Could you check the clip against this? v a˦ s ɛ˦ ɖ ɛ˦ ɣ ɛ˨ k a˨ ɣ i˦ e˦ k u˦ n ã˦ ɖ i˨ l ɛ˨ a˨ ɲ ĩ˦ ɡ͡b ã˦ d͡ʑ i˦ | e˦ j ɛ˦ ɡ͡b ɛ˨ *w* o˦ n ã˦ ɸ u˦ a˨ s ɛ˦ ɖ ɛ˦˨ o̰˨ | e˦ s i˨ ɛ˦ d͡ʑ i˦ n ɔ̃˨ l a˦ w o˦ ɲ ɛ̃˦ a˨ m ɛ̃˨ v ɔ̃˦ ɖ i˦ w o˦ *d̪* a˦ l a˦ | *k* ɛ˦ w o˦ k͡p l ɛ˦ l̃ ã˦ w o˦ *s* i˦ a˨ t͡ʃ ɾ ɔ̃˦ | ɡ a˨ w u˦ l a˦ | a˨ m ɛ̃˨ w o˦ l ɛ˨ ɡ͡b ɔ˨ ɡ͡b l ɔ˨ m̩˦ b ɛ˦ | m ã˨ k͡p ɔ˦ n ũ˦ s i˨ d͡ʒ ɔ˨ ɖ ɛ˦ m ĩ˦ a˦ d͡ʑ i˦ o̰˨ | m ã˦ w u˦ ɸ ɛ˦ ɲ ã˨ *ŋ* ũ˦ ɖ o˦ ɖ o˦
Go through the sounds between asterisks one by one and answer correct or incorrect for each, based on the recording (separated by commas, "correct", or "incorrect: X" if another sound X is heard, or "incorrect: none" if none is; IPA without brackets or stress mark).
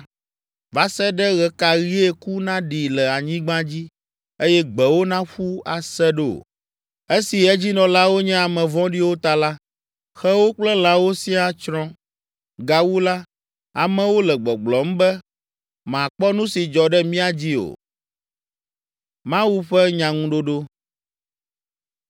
correct, incorrect: t̪, incorrect: x, correct, correct